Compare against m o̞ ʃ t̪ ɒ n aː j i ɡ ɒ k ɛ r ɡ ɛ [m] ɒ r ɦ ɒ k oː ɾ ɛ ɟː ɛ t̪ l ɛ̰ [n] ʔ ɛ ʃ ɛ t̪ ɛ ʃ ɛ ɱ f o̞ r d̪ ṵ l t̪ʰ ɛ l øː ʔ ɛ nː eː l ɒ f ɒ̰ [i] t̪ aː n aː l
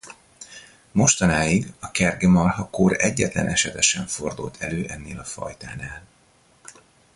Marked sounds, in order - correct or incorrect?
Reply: correct, correct, incorrect: j

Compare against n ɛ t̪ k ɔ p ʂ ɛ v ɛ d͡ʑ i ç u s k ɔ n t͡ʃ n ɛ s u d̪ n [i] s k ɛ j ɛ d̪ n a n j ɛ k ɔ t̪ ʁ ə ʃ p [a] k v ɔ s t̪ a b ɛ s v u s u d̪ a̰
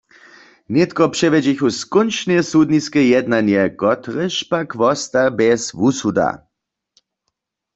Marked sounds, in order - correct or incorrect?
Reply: correct, correct

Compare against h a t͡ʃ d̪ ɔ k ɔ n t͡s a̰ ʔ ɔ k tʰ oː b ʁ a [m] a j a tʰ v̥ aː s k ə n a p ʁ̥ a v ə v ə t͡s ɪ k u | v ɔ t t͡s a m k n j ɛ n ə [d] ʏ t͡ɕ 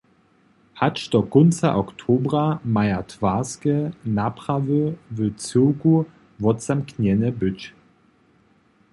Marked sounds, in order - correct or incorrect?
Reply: correct, incorrect: b

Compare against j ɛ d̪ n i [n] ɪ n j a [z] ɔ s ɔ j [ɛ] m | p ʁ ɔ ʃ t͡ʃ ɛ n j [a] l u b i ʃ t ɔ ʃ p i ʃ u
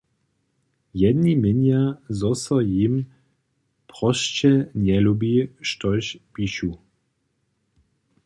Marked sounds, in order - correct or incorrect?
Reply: incorrect: m, correct, incorrect: i, incorrect: ɛ

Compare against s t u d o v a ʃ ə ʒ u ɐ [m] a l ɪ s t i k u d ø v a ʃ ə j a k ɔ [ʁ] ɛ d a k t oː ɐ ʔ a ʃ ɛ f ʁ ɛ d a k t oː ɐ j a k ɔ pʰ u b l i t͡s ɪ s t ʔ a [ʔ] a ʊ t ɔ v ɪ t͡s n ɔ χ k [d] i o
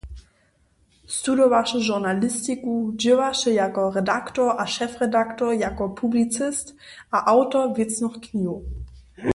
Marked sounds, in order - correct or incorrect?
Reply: incorrect: n, correct, correct, incorrect: n

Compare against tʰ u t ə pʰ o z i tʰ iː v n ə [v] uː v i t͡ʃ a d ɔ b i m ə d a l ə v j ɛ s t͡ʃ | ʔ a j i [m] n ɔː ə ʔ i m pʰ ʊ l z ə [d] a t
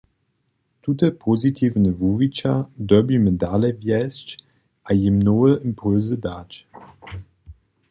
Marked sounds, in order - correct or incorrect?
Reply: correct, correct, correct

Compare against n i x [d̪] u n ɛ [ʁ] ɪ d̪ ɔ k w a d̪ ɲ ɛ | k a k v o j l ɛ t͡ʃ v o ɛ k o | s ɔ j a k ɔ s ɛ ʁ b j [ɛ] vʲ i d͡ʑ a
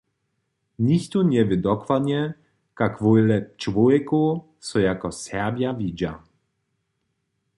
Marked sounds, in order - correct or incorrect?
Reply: incorrect: t̪, incorrect: v, incorrect: a

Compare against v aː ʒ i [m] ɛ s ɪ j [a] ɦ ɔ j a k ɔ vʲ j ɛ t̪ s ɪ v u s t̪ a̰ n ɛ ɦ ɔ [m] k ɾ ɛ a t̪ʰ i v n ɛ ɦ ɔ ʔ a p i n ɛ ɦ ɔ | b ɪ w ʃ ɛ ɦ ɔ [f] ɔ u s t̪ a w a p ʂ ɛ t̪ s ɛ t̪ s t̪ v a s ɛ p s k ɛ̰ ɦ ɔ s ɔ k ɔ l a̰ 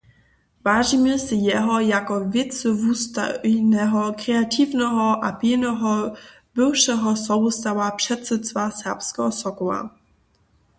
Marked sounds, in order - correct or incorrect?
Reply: correct, incorrect: ɛ, incorrect: none, incorrect: s

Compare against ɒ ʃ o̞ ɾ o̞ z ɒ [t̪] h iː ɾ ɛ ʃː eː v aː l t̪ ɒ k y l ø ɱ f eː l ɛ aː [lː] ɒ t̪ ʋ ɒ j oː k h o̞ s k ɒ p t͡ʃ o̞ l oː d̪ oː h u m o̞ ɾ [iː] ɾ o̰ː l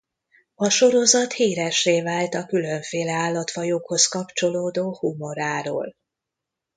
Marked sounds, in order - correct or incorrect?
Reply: correct, correct, incorrect: aː

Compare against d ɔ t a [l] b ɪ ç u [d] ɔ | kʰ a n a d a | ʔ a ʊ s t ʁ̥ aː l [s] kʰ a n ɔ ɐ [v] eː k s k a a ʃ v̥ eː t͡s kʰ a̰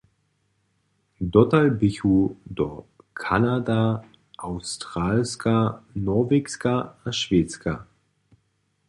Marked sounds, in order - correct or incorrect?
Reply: correct, correct, correct, correct

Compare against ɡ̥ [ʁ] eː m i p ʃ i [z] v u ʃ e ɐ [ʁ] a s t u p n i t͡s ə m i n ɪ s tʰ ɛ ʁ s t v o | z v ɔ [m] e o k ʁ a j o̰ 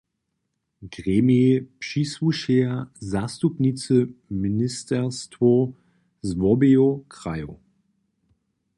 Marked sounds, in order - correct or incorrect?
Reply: correct, incorrect: s, incorrect: z, incorrect: b

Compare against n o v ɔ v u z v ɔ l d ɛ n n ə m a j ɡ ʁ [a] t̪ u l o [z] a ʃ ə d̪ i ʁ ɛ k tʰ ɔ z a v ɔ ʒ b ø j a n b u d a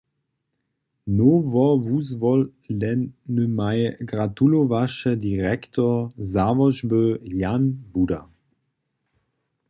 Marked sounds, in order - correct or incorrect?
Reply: correct, incorrect: v

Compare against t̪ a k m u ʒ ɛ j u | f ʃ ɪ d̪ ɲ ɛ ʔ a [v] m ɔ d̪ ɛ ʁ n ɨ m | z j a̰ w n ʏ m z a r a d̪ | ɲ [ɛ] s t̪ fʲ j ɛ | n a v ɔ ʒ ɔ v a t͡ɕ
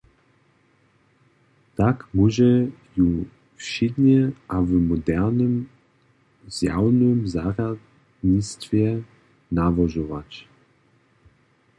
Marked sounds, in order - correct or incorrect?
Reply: correct, incorrect: i

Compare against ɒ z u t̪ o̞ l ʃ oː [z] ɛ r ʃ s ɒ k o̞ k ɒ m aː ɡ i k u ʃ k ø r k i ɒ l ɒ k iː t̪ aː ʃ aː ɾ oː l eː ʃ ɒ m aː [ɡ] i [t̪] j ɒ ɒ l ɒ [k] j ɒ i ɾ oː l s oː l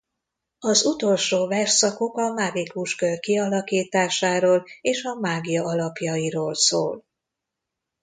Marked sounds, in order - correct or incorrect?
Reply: incorrect: v, correct, incorrect: none, incorrect: p

